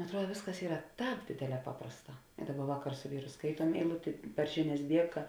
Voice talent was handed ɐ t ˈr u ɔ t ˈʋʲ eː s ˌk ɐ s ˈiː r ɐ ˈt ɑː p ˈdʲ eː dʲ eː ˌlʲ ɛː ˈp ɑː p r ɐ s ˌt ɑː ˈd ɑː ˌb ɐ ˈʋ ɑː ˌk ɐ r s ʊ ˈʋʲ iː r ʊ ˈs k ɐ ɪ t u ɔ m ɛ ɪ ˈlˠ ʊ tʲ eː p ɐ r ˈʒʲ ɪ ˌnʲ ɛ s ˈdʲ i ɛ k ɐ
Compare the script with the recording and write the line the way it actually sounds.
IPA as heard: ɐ t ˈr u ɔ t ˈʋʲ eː s ˌk ɐ s ˈiː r ɐ ˈt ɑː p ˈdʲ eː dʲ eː ˌlʲ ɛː ˈp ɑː p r ɐ s ˌt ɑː ˈd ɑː ˌb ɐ ˈʋ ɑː ˌk ɐ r s ʊ ˈʋʲ iː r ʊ ˈs k ɐ ɪ t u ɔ m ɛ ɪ ˈlˠ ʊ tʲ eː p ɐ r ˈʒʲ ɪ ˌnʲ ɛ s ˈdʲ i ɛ k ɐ